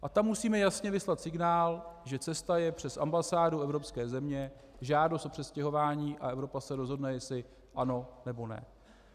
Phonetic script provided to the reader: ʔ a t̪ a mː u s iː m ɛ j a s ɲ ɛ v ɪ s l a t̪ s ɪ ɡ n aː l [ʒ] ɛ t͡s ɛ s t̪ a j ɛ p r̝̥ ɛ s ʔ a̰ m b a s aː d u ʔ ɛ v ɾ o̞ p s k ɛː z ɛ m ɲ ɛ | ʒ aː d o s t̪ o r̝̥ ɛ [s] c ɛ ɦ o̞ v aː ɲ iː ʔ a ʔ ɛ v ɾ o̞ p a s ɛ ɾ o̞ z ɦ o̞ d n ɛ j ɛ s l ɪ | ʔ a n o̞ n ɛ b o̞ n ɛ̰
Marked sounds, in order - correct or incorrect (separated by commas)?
correct, correct